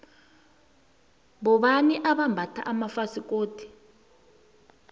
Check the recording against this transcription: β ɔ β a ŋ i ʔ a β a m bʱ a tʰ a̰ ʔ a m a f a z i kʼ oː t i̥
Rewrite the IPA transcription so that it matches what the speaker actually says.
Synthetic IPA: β ɔ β a n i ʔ a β a m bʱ a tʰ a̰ ʔ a m a f a s i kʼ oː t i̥